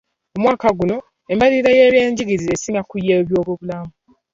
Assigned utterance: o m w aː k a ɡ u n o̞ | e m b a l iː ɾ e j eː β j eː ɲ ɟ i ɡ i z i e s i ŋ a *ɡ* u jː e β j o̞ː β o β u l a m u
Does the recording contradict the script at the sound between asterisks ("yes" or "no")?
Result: yes